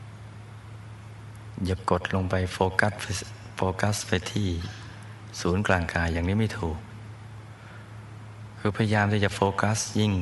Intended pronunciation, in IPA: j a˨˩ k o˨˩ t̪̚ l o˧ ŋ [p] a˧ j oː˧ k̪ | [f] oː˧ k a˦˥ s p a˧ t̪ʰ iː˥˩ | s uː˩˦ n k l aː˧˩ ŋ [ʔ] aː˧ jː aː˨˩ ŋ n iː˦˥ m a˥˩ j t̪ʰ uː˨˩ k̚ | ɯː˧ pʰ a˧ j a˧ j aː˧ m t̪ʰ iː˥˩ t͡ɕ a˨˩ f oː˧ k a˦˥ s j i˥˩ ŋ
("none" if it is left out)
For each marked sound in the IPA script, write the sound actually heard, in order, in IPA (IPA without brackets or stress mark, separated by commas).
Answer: p, f, k